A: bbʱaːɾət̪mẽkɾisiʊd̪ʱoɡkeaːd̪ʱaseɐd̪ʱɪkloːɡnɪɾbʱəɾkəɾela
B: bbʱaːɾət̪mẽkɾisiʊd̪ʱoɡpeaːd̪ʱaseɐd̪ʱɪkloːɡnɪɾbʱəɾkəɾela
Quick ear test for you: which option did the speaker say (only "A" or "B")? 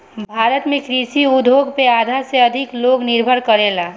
B